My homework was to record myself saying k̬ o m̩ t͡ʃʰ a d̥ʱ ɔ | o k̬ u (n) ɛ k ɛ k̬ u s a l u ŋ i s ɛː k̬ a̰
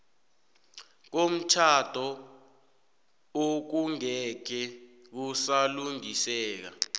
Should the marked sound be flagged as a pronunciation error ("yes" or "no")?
yes